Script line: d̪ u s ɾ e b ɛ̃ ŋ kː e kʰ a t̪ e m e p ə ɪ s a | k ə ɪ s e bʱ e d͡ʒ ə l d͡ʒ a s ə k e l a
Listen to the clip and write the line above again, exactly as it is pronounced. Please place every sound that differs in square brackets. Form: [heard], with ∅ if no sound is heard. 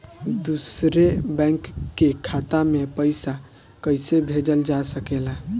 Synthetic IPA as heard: d̪ u s ɾ e b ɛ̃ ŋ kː e kʰ a t̪ [a] m e p ə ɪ s a | k ə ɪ s e bʱ e d͡ʒ ə l d͡ʒ a s ə k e l a